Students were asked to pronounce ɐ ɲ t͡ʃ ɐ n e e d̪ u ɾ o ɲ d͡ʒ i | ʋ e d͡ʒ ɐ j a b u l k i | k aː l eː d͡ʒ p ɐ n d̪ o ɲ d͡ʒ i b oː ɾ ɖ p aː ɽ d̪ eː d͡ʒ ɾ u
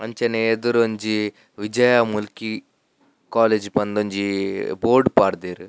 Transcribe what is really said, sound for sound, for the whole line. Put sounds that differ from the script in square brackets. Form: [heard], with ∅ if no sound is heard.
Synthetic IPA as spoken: ɐ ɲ t͡ʃ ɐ n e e d̪ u ɾ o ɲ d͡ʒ i | ʋ [i] d͡ʒ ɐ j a [m] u l k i | k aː l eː d͡ʒ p ɐ n d̪ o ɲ d͡ʒ i b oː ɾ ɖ p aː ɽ d̪ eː [∅] ɾ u